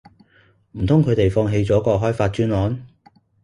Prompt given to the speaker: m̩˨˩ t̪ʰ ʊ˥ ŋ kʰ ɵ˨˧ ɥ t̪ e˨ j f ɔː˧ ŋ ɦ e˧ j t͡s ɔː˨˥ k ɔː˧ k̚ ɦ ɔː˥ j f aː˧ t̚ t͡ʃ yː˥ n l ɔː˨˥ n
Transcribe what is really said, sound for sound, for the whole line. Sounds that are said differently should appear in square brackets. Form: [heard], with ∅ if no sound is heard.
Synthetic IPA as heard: m̩˨˩ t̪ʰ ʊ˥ ŋ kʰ ɵ˨˧ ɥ t̪ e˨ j f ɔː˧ ŋ ɦ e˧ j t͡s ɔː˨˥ k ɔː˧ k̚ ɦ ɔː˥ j f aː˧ t̚ t͡ʃ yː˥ n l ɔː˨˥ n